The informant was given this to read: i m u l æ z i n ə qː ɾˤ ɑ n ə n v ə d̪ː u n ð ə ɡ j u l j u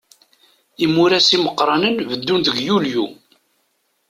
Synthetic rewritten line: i m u ɾ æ s i m ə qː ɾˤ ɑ n ə n v ə d̪ː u n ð ə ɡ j u l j u